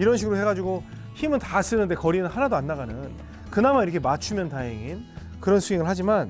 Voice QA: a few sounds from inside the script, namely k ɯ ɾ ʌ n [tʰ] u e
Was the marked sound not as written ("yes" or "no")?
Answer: yes